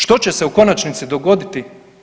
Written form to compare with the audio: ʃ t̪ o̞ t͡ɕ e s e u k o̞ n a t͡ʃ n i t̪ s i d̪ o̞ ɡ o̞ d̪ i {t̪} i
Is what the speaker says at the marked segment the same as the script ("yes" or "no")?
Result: yes